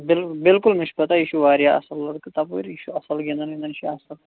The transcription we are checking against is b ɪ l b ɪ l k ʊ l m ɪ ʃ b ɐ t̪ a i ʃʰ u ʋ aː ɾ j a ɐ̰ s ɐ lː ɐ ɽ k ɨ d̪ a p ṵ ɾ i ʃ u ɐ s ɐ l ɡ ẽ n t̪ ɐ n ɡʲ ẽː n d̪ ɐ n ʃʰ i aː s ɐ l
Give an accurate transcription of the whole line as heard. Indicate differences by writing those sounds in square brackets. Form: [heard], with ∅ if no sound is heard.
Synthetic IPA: b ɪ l b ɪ l k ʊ l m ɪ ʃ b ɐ t̪ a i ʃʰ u ʋ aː ɾ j a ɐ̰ s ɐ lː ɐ ɽ k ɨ [t̪] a p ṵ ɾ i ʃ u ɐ s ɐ l ɡ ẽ n [d̪] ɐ n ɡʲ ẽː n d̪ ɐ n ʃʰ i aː s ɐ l